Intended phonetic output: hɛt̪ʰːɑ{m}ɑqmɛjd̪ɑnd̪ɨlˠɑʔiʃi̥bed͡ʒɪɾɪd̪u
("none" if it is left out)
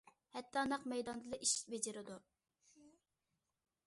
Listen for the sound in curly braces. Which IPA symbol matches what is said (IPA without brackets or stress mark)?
n